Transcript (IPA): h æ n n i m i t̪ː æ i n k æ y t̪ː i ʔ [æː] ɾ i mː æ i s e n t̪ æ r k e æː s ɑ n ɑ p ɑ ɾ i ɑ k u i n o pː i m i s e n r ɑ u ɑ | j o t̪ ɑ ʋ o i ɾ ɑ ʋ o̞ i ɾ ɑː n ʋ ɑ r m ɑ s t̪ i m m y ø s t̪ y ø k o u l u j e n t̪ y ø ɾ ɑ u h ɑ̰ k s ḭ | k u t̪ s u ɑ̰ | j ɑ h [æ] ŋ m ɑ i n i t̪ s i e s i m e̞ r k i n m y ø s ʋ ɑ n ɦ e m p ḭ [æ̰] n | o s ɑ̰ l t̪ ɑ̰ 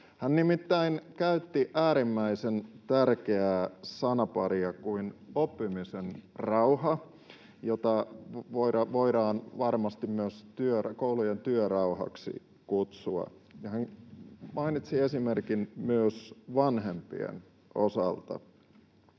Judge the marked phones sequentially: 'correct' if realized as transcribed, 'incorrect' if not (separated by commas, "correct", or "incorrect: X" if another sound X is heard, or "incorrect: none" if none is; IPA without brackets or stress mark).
correct, correct, incorrect: ḛ